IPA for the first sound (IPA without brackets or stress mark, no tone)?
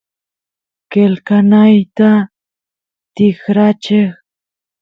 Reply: k